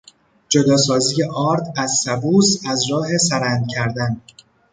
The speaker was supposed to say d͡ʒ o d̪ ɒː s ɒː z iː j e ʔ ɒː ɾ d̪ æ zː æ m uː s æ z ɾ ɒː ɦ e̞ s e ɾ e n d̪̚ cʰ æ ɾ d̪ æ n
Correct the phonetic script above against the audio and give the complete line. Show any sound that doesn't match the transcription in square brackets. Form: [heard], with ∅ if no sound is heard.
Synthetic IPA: d͡ʒ o d̪ ɒː s ɒː z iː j e ʔ ɒː ɾ d̪ æ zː æ [b] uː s æ z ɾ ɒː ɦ e̞ s [æ] ɾ [æ] n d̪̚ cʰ æ ɾ d̪ æ n